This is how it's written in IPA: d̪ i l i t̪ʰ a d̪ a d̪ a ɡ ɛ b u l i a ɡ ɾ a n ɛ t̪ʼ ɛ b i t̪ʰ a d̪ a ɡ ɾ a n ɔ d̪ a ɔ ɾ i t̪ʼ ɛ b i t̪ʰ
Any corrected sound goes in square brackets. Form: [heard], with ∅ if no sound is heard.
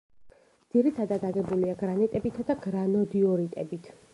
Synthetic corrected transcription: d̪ i [ɾ] i t̪ʰ a d̪ a d̪ a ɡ ɛ b u l i a ɡ ɾ a n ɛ t̪ʼ ɛ b i t̪ʰ a d̪ a ɡ ɾ a n ɔ d̪ [i] ɔ ɾ i t̪ʼ ɛ b i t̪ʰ